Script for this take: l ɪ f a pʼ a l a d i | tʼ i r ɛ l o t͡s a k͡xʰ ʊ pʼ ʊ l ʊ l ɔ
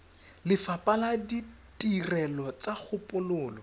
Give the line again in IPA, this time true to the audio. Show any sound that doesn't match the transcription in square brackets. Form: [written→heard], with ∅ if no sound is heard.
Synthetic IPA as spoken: l ɪ f a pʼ a l a d i | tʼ i r ɛ l [o→ɔ] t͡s a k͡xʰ ʊ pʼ ʊ l [ʊ→ʊː] l ɔ

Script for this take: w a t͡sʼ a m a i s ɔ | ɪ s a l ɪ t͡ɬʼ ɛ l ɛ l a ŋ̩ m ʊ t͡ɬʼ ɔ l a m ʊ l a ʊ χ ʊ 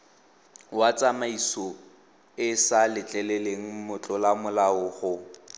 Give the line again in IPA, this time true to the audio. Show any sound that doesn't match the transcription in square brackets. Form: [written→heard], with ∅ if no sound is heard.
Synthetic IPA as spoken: w a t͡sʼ a m a i s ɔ | ɪ s a l ɪ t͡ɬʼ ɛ l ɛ l [a→e] ŋ̩ m ʊ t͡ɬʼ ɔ l a m ʊ l a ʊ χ ʊ

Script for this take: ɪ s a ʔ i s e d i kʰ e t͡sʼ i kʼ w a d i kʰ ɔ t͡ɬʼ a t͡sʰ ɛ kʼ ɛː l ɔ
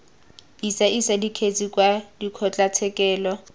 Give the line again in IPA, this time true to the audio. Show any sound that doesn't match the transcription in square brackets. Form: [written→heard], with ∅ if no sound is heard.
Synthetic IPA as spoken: [ɪ→i] s a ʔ i s [e→a] d i kʰ e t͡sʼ i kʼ w a d i kʰ ɔ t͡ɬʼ a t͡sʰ ɛ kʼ ɛː l ɔ

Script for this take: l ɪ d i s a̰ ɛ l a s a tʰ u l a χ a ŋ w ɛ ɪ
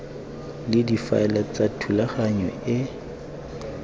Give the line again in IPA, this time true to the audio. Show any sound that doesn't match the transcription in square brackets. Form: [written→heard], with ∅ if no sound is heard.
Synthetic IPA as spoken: l ɪ d i [s→f] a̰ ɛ l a [s→t͡s] a tʰ u l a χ a [ŋ→ɲ] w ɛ ɪ

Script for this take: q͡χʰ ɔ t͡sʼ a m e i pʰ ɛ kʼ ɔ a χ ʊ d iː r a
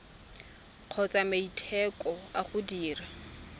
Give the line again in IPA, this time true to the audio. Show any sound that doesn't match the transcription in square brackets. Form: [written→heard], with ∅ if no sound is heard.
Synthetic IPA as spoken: q͡χʰ ɔ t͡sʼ a m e i [pʰ→tʰ] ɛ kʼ ɔ a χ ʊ d iː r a

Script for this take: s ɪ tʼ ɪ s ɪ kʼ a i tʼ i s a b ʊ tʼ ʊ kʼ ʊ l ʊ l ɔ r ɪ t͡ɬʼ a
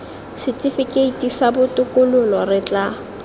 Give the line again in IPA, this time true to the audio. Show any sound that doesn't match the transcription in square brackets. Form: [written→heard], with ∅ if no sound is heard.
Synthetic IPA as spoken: s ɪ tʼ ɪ [s→f] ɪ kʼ [a→e] i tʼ i s a b ʊ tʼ ʊ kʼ ʊ l ʊ l ɔ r ɪ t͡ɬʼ a

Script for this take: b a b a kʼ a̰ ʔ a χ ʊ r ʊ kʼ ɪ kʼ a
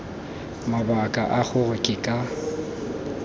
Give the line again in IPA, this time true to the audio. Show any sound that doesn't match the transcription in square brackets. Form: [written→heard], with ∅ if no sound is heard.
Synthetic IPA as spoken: [b→m] a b a kʼ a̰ ʔ a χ ʊ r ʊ kʼ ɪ kʼ a

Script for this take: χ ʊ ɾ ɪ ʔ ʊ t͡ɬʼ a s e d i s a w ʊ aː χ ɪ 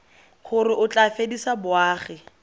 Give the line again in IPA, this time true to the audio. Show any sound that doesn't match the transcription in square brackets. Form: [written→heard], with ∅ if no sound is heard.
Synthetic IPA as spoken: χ ʊ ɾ ɪ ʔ ʊ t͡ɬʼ a [s→f] e d i s a [w→b] ʊ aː χ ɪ

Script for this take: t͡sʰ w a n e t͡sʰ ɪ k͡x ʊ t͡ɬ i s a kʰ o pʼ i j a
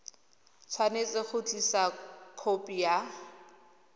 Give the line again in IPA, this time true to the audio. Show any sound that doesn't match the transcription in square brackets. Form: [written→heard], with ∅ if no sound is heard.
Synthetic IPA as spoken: t͡sʰ w a n e [t͡sʰ→t͡s] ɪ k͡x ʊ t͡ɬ i s a kʰ o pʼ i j a

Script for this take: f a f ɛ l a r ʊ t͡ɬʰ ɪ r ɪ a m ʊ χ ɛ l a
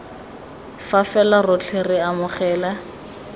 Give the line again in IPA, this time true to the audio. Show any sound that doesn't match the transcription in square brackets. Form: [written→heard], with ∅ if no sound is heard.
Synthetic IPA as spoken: f a f ɛ l a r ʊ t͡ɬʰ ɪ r ɪ a m ʊ χ [ɛ→ɛː] l a

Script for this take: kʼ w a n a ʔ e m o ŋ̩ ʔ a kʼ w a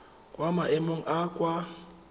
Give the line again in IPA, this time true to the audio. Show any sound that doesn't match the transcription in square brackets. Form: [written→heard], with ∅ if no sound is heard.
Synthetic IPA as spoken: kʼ w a [n→m] a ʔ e m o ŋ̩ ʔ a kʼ w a

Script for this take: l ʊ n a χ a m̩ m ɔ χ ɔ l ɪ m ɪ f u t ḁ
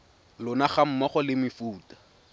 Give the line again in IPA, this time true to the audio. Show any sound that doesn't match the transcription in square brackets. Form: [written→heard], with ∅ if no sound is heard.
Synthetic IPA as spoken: l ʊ n a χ a m̩ m ɔ χ ɔ l ɪ m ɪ f [u→uː] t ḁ

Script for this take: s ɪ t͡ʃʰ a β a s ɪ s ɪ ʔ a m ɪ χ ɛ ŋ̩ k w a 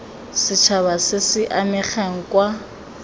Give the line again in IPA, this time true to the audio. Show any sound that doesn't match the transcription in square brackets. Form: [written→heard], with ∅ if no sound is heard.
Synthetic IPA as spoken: s ɪ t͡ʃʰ a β a s ɪ s ɪ ʔ a m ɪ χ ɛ ŋ̩ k w a

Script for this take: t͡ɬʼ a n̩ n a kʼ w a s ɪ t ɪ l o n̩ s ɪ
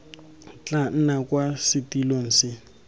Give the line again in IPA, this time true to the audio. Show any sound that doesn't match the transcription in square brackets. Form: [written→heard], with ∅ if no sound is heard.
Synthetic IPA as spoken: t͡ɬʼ a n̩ n a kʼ w a s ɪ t [ɪ→i] l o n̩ s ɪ

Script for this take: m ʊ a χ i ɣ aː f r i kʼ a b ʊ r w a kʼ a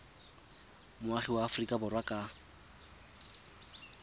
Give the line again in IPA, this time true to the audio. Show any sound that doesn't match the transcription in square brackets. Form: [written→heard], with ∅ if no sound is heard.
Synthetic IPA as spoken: m ʊ a χ i [ɣ→w] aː f r i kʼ a b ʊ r w a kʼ a

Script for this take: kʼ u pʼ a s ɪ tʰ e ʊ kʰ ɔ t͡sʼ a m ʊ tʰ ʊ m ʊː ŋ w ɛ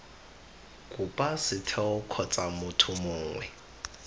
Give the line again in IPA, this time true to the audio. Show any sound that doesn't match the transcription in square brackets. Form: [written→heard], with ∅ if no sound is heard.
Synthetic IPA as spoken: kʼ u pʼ a s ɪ tʰ [e→ɛ] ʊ kʰ ɔ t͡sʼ a m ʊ tʰ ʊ m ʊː ŋ w ɛ

